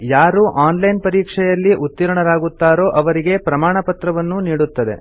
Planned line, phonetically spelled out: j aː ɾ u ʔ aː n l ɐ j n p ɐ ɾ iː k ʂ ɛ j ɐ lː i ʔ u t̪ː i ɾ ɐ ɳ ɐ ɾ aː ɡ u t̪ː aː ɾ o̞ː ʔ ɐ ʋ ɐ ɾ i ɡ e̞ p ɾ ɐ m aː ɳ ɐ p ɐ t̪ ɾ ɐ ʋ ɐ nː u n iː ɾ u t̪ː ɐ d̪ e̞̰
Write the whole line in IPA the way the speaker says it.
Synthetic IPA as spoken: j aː ɾ u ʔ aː n l ɐ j n p ɐ ɾ iː k ʂ ɛ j ɐ lː i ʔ u t̪ː i ɾ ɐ ɳ ɐ ɾ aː ɡ u t̪ː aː ɾ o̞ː ʔ ɐ ʋ ɐ ɾ i ɡ e̞ p ɾ ɐ m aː ɳ ɐ p ɐ t̪ ɾ ɐ ʋ ɐ nː u n iː ɽ u t̪ː ɐ d̪ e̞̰